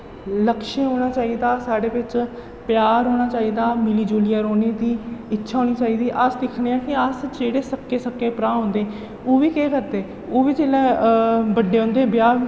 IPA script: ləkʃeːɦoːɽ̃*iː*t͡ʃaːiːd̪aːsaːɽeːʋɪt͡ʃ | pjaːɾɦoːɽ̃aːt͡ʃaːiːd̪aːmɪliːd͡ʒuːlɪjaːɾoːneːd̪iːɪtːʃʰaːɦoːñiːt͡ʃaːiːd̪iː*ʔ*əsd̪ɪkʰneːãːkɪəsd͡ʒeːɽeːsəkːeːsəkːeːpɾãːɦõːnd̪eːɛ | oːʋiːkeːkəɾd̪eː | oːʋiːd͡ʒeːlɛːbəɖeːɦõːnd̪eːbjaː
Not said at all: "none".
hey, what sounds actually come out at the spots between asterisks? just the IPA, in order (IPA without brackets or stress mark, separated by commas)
aː, ʔ